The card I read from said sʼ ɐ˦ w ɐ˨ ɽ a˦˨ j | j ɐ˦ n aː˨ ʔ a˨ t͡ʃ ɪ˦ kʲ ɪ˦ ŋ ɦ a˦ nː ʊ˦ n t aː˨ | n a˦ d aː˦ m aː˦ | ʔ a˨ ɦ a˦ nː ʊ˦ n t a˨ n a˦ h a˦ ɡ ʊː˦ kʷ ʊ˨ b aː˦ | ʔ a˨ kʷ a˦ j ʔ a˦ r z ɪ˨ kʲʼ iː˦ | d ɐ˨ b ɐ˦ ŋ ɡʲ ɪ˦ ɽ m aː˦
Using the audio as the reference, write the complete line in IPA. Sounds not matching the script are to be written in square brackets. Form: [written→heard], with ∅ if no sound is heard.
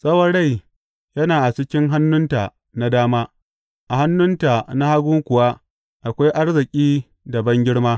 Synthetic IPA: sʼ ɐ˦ w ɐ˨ ɽ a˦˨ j | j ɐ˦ n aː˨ ʔ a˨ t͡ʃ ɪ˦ kʲ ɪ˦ ŋ ɦ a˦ nː ʊ˦ n t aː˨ | n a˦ d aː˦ m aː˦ | ʔ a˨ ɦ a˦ nː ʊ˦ n t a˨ n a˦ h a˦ ɡ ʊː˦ kʷ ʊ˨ [b→w] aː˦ | ʔ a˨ kʷ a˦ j ʔ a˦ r z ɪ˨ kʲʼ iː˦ | d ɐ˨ b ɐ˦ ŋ ɡʲ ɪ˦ ɽ m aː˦